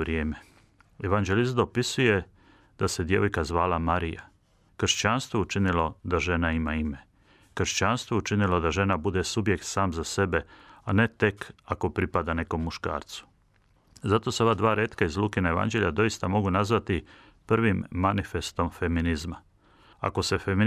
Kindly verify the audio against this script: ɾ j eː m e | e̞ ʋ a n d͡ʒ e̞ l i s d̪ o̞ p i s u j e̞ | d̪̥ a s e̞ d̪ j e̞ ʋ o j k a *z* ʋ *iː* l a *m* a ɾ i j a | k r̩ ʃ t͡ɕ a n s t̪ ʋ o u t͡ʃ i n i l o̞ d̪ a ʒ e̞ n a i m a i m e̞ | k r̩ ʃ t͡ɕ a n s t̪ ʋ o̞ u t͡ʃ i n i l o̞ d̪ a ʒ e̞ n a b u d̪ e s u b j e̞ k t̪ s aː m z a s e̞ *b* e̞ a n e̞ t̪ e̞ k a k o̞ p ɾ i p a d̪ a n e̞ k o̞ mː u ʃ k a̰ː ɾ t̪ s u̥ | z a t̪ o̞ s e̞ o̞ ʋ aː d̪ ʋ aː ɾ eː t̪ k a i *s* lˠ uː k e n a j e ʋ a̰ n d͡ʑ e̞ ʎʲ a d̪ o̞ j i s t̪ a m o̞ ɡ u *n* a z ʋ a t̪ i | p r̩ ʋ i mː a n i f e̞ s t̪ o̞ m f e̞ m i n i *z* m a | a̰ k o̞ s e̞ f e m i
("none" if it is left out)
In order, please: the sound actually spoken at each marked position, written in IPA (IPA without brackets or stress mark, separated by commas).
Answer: z, aː, m, b, z, n, z